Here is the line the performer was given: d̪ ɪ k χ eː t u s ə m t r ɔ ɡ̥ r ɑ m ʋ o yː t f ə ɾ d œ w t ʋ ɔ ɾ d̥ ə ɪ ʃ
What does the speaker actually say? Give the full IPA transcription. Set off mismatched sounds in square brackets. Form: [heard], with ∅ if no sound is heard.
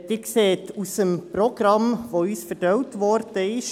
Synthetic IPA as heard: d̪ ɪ k [s] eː t u s ə m [p] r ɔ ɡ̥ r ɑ m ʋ o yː [s] f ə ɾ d œ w t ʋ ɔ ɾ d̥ ə ɪ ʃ